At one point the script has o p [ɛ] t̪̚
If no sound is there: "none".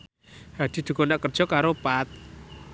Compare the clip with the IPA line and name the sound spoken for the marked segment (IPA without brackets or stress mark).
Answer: a